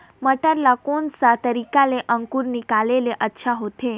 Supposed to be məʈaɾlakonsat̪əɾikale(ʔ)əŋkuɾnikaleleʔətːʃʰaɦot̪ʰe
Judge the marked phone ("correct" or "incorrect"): correct